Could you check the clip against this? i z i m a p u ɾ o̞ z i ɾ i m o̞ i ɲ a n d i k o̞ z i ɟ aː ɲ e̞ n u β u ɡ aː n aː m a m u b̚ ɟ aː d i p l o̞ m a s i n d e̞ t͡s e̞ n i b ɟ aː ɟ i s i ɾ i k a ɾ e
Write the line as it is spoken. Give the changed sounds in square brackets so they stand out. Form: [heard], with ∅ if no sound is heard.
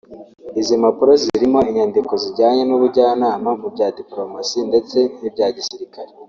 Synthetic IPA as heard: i z i m a p u ɾ o̞ z i ɾ i m o̞ i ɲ a n d i k o̞ z i ɟ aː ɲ e̞ n u β u [ɟ] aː n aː m a m u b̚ ɟ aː d i p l o̞ m a s i n d e̞ t͡s e̞ n i b ɟ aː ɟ i s i ɾ i k a ɾ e